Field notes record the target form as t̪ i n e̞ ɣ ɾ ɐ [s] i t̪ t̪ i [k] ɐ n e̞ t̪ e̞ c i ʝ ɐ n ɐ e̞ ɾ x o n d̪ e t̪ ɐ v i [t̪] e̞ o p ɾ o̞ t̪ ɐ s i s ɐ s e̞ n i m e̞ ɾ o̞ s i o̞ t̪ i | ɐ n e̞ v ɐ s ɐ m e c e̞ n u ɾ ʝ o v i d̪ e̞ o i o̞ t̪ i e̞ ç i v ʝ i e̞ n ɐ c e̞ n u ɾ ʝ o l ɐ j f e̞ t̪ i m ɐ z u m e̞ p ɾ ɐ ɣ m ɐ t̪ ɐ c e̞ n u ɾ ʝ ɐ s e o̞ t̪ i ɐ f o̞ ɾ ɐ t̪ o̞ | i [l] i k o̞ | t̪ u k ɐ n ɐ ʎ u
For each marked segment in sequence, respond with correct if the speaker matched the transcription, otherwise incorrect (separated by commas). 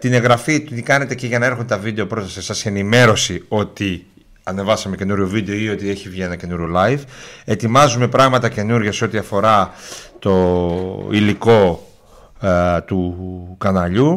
incorrect, correct, incorrect, correct